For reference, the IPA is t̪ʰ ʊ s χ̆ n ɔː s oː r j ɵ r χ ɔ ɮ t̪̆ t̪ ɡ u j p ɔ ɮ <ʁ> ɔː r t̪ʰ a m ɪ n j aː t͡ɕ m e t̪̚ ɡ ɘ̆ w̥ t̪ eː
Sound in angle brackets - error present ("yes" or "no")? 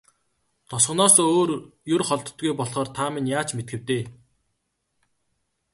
yes